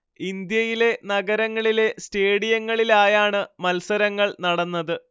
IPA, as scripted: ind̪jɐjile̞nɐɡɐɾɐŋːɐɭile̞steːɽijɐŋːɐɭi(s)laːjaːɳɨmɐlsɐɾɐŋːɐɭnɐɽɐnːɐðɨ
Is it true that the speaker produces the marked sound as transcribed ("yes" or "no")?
no